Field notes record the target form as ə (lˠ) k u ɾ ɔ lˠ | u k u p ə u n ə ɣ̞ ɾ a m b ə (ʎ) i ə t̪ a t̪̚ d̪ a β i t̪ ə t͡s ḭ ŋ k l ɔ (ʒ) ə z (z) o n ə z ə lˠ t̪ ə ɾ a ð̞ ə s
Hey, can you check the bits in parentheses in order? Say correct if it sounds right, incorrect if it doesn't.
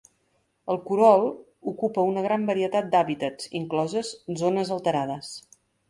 correct, incorrect, incorrect, correct

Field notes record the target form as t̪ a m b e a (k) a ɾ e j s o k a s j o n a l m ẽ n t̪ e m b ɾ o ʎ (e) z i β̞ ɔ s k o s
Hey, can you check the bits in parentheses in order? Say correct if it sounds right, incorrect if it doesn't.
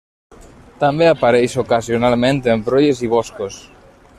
incorrect, correct

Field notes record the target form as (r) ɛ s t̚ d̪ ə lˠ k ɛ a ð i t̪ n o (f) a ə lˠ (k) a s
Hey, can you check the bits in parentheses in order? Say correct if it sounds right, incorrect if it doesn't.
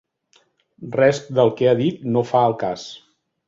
correct, correct, correct

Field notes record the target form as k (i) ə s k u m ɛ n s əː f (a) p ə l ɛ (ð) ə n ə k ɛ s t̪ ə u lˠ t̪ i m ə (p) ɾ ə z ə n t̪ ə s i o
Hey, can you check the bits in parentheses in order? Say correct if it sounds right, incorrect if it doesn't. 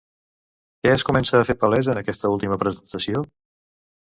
incorrect, incorrect, incorrect, correct

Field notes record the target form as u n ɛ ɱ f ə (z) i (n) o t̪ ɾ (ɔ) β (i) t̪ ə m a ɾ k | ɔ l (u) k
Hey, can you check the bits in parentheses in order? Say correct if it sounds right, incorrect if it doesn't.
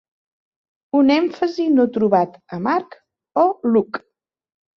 correct, correct, incorrect, incorrect, correct

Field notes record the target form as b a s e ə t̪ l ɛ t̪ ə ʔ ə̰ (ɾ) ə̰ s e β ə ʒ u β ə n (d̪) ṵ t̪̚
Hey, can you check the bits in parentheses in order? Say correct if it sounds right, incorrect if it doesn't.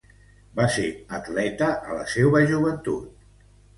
incorrect, incorrect

